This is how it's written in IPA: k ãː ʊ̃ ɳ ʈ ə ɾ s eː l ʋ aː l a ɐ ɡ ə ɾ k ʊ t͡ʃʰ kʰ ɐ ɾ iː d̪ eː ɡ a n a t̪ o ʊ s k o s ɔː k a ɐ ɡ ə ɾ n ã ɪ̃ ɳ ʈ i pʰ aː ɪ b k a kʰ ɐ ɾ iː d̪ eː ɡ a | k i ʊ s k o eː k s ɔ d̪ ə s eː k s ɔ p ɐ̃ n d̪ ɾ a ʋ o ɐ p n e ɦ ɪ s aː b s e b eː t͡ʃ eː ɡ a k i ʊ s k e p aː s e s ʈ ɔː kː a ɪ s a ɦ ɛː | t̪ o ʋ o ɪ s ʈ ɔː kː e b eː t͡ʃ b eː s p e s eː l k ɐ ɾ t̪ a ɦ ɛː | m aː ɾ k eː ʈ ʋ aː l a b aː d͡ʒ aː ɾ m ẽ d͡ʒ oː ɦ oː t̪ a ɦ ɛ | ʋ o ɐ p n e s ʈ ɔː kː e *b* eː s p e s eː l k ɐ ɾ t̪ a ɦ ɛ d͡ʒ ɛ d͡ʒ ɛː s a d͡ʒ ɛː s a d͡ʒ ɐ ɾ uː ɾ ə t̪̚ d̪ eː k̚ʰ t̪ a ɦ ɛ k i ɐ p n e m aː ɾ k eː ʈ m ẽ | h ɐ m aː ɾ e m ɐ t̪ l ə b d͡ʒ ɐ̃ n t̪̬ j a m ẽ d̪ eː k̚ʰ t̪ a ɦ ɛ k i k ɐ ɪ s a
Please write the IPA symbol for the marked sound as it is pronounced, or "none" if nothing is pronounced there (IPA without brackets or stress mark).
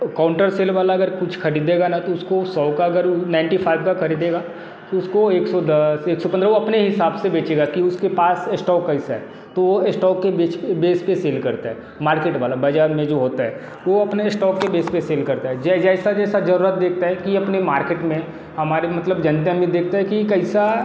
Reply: b